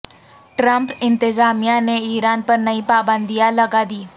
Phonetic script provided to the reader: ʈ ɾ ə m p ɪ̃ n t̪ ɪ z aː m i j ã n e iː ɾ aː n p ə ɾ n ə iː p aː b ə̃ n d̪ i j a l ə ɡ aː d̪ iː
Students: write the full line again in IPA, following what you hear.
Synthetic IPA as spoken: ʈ ɾ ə m p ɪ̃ n t̪ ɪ z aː m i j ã n e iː ɾ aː n p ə ɾ n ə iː p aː b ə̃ n d̪ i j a l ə ɡ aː d̪ iː